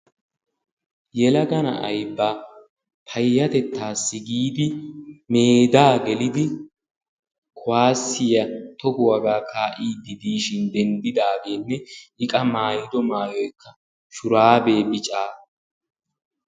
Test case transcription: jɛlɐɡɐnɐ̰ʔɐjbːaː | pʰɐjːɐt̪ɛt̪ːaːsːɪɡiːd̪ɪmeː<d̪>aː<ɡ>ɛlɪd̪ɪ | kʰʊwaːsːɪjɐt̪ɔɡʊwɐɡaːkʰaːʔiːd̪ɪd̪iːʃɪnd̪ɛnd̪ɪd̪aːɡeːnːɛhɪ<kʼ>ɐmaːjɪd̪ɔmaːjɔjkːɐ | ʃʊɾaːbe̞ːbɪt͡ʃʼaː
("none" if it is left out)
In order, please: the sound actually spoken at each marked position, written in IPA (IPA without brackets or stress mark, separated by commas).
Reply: d̪, ɡ, kʼ